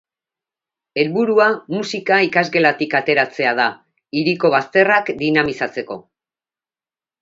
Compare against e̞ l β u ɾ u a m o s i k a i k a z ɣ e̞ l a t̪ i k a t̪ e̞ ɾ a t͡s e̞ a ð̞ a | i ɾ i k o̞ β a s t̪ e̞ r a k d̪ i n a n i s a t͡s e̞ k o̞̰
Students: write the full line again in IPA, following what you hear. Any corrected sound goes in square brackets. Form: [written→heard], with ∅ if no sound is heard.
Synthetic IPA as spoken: e̞ l β u ɾ u a m [o→u] s i k a i k a z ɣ e̞ l a t̪ i k a t̪ e̞ ɾ a t͡s e̞ a ð̞ a | i ɾ i k o̞ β a s t̪ e̞ r a k d̪ i n a [n→m] i s a t͡s e̞ k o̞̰